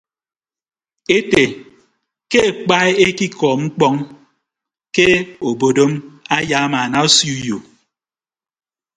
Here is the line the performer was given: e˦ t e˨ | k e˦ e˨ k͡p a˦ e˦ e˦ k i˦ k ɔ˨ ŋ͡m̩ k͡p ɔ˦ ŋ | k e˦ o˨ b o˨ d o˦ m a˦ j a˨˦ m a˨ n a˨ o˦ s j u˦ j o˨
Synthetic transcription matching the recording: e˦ t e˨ | k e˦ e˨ k͡p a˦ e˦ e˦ k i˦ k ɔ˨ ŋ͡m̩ k͡p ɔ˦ ŋ | k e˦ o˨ b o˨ d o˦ m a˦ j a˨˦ m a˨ n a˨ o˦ s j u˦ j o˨